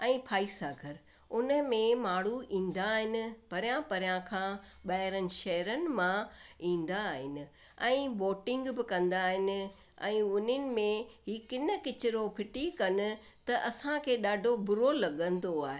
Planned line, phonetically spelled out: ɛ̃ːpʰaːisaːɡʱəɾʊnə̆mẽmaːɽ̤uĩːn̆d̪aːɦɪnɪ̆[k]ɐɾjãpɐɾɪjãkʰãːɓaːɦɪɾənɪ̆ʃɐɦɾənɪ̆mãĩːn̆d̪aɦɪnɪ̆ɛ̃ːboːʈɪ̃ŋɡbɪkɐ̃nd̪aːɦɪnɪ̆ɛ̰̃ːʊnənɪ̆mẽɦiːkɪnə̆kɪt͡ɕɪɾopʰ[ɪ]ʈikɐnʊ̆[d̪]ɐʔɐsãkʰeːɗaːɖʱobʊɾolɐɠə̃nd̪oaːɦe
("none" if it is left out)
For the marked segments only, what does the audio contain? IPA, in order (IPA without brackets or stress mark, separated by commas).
p, ɪ, t̪